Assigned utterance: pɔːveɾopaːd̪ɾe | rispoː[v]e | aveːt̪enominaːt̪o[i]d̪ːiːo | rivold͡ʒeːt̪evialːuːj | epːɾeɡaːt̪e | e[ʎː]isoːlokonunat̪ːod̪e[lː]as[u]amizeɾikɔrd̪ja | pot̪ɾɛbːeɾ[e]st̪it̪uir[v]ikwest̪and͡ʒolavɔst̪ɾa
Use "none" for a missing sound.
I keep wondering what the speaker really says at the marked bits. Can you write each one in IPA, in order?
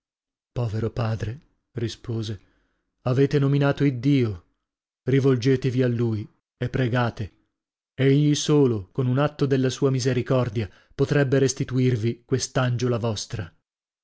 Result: z, i, ʎː, lː, uː, e, v

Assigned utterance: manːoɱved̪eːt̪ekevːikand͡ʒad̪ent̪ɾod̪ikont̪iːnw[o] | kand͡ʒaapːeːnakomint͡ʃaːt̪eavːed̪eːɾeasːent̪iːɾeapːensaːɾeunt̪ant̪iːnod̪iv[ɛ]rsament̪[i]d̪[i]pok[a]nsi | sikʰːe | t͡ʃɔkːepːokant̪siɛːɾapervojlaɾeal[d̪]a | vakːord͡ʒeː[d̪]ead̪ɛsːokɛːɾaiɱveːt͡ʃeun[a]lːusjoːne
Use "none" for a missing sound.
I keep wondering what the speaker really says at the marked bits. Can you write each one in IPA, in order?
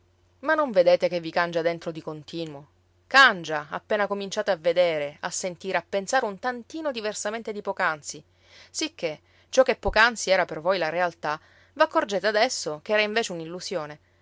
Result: o, e, e, i, a, t̪, t̪, i

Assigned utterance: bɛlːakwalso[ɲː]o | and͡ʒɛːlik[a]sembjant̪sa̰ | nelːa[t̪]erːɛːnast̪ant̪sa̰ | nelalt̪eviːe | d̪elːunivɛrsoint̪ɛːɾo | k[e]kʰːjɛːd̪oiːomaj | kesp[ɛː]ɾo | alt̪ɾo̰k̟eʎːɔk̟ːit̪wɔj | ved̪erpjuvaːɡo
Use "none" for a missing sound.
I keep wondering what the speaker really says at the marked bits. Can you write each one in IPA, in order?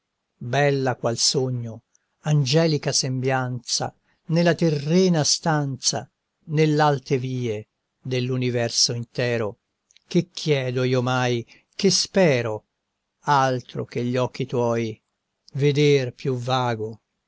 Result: ɲː, a, t̪, e, ɛː

